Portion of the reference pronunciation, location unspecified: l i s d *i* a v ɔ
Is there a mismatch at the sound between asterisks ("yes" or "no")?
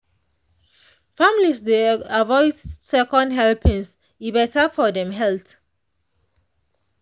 yes